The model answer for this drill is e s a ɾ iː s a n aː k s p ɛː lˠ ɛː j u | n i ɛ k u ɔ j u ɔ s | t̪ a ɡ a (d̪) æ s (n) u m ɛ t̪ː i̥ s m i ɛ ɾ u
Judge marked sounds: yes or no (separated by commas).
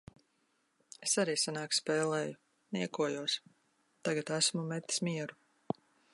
no, no